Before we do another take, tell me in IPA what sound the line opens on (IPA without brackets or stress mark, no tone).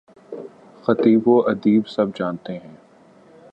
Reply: x